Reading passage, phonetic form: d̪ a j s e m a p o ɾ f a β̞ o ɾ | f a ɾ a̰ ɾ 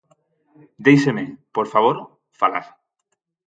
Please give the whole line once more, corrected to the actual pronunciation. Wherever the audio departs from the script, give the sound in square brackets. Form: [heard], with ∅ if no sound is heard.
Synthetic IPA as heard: d̪ [e] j s e m [e] p o ɾ f a β̞ o ɾ | f a [l] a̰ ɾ